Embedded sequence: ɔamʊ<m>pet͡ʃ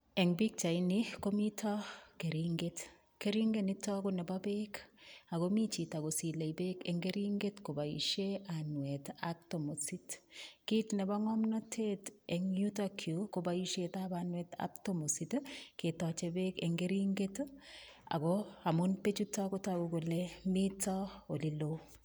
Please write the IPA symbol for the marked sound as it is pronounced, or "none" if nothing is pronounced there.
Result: n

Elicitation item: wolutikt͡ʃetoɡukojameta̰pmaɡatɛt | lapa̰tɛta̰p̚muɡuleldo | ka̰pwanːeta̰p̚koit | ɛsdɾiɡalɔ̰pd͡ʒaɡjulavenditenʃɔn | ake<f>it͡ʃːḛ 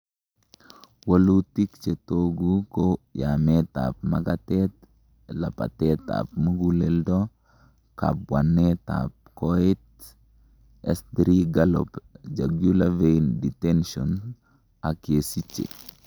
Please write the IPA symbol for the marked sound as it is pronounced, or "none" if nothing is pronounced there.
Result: s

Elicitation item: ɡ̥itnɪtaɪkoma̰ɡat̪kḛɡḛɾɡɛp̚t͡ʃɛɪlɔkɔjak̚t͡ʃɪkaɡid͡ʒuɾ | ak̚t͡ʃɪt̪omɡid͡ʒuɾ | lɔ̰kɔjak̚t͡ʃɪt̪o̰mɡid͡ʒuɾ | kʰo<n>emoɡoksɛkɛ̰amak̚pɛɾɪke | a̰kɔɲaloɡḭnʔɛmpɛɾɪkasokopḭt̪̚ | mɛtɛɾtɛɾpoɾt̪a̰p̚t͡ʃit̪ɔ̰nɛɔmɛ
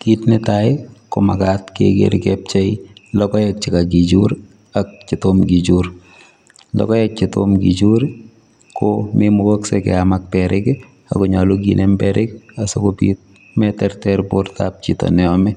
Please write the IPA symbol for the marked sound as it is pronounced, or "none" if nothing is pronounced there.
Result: m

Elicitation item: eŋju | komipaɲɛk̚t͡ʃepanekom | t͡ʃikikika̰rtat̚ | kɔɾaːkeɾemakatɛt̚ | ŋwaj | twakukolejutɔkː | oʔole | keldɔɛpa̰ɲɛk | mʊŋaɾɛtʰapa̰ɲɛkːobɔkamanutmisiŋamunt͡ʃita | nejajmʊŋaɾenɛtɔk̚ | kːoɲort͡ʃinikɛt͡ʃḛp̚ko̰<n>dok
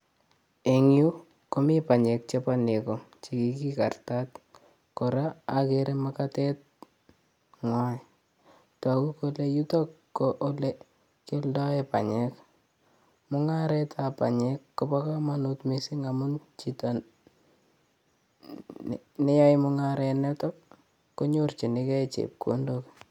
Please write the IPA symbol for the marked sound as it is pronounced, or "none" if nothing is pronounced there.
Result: n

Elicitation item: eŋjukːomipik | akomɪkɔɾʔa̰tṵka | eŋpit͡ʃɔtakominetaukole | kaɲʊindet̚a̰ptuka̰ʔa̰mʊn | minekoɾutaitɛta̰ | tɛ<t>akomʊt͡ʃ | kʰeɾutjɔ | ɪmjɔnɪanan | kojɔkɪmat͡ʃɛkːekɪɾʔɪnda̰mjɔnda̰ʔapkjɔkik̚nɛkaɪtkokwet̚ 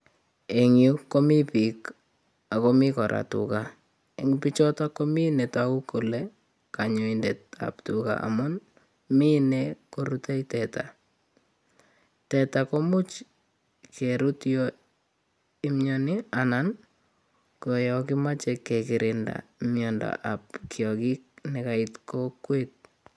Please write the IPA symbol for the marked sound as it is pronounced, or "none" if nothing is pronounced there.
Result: t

